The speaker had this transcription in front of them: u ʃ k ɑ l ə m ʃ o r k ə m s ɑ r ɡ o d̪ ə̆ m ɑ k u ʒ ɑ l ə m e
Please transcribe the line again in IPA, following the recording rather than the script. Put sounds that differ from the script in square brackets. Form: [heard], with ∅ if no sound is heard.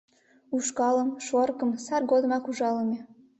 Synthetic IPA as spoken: u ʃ k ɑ l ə m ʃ o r k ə m s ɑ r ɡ o d̪ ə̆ m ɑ k u ʒ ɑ l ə m e